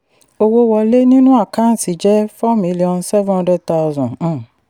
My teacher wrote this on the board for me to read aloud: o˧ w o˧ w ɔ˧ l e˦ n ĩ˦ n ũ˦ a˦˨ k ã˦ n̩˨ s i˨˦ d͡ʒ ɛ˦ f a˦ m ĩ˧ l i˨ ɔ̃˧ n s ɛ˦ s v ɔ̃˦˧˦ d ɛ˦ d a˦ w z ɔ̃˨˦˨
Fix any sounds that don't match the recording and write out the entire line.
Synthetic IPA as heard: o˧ w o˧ w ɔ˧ l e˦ n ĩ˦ n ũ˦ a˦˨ k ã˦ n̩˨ s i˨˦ d͡ʒ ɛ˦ f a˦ m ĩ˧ l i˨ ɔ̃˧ n s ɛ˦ v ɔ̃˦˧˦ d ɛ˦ t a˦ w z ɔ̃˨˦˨